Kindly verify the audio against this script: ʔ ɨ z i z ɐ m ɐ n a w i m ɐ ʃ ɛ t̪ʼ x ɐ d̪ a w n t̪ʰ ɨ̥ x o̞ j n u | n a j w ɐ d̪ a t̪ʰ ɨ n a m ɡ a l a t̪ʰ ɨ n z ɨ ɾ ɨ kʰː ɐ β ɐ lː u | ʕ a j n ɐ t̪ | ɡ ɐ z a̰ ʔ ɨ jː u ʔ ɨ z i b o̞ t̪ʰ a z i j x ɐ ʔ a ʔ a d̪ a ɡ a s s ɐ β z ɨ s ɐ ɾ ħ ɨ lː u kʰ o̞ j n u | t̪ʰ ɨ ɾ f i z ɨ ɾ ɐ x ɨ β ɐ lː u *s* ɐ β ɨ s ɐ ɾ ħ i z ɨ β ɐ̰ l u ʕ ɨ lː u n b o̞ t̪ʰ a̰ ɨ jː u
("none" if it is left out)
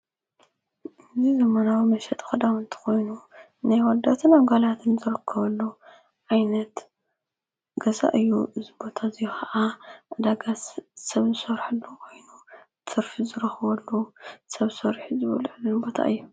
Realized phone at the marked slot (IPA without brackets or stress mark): s